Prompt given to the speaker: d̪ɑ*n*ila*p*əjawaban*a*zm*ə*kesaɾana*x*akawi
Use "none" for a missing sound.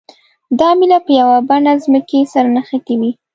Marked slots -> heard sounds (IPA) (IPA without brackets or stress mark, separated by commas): m, p, a, ə, x